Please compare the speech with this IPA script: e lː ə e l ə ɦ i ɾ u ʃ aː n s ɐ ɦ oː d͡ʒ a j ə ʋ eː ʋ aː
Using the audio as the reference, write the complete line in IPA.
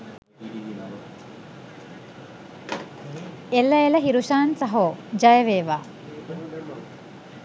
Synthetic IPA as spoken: e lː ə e l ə ɦ i ɾ u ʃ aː n s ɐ ɦ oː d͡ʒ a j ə ʋ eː ʋ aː